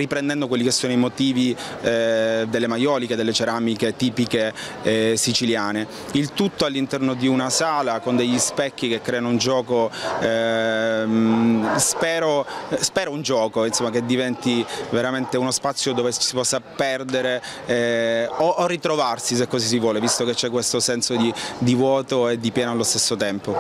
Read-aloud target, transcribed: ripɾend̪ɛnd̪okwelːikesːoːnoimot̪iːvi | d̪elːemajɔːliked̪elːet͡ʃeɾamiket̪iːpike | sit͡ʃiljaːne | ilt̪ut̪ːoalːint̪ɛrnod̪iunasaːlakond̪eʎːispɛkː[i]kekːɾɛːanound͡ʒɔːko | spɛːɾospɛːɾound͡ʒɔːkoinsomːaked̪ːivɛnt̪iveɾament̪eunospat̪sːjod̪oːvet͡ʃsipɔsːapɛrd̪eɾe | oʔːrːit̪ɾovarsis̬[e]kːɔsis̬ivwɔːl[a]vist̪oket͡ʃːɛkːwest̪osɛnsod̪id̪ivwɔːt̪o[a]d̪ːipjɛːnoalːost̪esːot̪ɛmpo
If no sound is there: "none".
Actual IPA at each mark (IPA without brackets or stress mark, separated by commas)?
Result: i, e, e, e